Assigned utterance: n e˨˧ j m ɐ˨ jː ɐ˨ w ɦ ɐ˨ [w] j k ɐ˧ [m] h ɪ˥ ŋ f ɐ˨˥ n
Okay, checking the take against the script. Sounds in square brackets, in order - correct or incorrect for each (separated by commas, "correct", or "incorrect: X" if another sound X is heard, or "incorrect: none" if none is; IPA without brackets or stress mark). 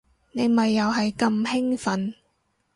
incorrect: none, correct